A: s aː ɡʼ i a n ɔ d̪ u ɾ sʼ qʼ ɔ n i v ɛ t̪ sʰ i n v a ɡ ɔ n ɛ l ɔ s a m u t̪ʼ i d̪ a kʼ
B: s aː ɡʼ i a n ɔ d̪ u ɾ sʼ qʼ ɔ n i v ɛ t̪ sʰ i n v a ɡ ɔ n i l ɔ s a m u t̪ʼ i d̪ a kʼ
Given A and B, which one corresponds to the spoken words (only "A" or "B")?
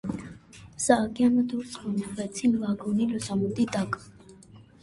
B